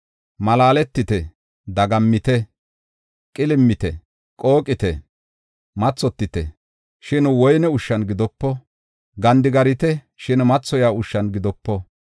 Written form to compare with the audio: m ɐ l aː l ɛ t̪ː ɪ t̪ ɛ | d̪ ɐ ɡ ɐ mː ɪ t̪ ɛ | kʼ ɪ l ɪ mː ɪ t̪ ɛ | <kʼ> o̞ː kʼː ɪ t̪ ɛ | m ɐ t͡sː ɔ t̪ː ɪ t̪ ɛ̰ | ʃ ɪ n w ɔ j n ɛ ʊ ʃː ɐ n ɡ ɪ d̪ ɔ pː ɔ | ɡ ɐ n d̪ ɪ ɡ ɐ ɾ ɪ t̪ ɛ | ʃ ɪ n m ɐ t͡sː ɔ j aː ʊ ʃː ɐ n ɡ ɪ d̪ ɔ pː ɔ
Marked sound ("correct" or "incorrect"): correct